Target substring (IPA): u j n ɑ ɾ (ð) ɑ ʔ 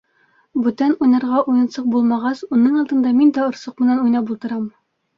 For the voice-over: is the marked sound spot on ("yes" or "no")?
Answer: no